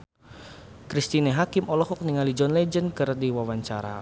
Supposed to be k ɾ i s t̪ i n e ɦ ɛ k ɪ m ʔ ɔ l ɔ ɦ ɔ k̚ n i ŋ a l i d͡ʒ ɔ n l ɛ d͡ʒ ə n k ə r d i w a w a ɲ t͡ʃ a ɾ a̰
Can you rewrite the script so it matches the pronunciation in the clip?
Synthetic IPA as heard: k ɾ i s t̪ i n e ɦ a k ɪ m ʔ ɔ l ɔ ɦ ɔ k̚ n i ŋ a l i d͡ʒ ɔ n l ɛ d͡ʒ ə n k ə r d i w a w a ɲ t͡ʃ a ɾ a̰